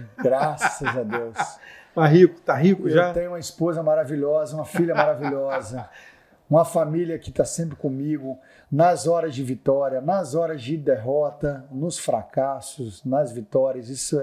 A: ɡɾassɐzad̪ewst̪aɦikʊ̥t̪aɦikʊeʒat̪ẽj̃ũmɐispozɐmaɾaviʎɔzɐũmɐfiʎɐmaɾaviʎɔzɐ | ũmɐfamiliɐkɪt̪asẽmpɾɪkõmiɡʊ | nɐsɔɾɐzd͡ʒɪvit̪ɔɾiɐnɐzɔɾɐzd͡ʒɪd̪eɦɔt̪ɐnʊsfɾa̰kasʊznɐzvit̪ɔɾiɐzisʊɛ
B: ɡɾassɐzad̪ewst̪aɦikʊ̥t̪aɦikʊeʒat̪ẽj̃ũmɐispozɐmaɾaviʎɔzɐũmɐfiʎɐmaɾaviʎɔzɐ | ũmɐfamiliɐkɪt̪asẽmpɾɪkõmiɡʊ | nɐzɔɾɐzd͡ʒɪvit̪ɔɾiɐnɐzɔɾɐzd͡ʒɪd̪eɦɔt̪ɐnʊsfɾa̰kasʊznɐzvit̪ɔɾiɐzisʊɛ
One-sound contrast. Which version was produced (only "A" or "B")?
B